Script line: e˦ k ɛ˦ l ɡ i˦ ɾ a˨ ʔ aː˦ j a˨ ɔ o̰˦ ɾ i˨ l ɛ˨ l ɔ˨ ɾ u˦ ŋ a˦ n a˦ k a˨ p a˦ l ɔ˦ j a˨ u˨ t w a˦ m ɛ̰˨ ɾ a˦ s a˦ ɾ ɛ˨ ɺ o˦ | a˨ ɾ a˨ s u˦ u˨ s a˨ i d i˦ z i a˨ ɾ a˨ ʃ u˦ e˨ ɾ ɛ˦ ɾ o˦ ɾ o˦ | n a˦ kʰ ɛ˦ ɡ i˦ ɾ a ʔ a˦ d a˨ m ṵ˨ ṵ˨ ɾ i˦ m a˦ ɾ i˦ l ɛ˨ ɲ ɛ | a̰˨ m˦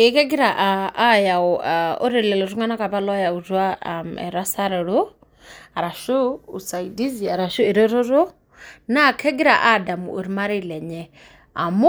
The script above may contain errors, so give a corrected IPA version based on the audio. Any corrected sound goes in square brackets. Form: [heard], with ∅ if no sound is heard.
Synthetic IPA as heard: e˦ k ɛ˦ [∅] ɡ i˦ ɾ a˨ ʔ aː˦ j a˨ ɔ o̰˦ ɾ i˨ l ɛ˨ l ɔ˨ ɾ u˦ ŋ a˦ n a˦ k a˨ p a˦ l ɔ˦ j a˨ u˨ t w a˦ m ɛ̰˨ ɾ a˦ s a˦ ɾ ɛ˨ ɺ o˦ | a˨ ɾ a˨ [ʃ] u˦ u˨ s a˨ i d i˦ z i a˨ ɾ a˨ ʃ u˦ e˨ ɾ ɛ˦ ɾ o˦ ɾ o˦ | n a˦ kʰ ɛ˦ ɡ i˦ ɾ a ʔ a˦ d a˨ m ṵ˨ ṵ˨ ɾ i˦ m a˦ ɾ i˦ l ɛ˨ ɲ ɛ | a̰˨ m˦